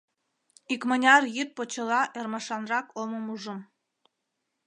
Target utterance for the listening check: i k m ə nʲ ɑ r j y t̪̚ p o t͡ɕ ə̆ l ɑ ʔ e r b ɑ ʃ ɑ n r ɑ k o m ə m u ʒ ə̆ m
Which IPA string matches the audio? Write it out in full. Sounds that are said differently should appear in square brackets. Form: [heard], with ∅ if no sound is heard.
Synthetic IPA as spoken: i k m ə nʲ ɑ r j y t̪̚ p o t͡ɕ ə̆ l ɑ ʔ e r [m] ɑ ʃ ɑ n r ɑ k o m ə m u ʒ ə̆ m